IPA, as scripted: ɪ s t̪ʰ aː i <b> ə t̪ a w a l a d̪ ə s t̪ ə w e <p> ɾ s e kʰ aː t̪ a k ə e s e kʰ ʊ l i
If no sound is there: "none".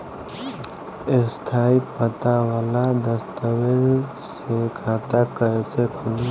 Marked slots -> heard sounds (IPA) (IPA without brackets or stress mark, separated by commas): p, none